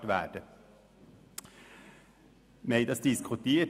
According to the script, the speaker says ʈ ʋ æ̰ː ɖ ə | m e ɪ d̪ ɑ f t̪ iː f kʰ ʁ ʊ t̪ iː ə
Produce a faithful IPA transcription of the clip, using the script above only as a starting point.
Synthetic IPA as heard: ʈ ʋ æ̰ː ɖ ə | m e ɪ d̪ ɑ s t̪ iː s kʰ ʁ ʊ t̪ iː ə